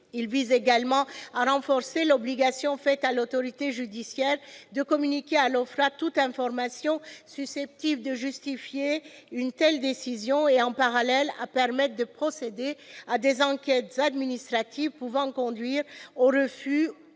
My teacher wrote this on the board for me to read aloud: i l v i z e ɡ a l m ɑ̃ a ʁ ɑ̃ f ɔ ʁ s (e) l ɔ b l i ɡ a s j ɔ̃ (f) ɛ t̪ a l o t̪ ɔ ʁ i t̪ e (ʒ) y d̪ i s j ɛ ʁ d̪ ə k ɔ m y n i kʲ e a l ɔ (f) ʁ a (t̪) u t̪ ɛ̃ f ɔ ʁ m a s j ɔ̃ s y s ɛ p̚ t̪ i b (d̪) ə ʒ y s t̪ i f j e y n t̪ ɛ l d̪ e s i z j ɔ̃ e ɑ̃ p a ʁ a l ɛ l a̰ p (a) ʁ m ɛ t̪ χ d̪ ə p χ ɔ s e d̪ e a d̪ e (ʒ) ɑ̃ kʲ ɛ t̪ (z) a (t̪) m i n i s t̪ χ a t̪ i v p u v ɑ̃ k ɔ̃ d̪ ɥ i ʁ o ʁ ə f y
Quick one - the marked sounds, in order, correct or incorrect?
correct, correct, correct, correct, correct, correct, incorrect, incorrect, correct, incorrect

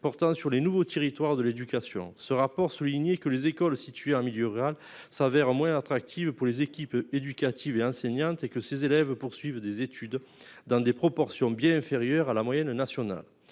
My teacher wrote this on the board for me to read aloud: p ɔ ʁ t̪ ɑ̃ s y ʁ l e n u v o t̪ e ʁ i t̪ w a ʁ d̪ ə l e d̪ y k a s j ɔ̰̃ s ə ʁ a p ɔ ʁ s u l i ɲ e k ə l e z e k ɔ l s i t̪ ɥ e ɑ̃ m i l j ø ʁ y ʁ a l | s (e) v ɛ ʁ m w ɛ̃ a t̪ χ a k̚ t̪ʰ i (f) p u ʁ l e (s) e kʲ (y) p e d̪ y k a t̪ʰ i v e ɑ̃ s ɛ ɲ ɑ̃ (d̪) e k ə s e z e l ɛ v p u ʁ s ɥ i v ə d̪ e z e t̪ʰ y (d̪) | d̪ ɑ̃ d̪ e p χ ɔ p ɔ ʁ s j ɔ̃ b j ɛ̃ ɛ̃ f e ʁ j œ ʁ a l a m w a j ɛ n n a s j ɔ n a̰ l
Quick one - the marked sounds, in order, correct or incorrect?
incorrect, incorrect, incorrect, incorrect, incorrect, correct

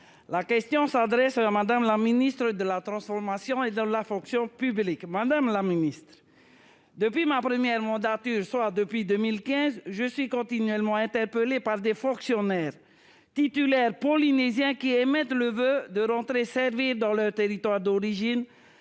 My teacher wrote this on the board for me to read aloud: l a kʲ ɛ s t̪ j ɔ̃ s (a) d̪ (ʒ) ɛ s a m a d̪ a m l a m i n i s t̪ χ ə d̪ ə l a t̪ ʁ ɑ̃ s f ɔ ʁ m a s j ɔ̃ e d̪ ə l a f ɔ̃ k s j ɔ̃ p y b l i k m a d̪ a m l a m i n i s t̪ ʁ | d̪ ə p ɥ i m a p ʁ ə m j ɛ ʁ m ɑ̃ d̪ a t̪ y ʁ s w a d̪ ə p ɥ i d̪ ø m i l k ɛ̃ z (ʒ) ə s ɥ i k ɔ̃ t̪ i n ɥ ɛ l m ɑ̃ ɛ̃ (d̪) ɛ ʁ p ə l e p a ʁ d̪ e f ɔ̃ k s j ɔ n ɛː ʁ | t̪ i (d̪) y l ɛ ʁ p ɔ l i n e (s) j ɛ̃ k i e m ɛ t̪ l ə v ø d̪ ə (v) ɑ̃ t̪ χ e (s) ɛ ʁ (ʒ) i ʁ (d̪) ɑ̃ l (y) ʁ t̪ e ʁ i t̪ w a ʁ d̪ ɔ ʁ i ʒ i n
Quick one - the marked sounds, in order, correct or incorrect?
correct, incorrect, correct, incorrect, incorrect, incorrect, incorrect, correct, incorrect, correct, incorrect

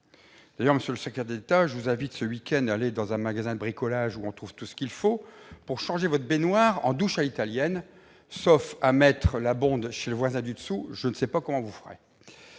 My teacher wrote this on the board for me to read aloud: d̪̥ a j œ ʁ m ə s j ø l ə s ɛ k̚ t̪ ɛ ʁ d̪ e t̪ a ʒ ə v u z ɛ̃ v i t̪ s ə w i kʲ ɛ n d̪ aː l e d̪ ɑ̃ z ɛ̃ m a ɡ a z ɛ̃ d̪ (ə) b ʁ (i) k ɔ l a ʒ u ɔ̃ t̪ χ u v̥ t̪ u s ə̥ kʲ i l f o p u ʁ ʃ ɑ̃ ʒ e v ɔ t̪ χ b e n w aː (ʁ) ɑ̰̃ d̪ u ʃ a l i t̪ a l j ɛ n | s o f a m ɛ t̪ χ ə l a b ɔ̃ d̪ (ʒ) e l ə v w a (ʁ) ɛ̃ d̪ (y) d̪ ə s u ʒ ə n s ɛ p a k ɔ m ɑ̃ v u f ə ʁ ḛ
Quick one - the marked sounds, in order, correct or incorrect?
correct, correct, correct, incorrect, incorrect, correct

